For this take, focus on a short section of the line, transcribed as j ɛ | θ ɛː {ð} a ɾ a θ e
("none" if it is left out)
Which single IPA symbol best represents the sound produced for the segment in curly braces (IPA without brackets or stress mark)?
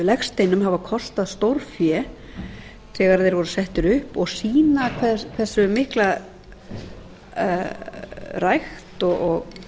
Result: ɣ